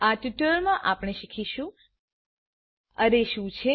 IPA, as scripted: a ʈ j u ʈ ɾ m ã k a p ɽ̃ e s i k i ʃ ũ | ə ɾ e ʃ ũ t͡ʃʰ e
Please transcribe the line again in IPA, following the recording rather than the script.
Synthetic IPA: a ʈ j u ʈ ɾ m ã ʔ a p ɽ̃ e ʃ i kʰ i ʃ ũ | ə ɾ e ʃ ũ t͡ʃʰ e